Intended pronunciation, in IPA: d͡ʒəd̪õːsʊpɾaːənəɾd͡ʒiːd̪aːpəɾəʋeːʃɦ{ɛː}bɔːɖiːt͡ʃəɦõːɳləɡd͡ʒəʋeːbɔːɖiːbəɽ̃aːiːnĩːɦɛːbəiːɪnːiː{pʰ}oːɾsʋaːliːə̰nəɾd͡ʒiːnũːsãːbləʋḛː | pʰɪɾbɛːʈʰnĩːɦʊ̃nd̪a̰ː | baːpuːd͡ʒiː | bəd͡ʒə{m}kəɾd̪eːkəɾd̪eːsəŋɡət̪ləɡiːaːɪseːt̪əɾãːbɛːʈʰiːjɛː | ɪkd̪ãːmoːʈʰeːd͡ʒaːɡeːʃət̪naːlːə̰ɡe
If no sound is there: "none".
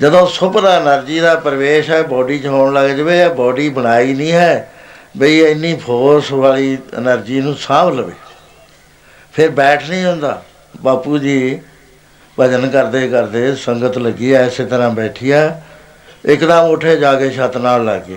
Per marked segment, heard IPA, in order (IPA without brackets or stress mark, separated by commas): ɛː, pʰ, n